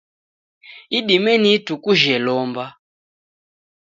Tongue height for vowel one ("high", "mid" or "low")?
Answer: high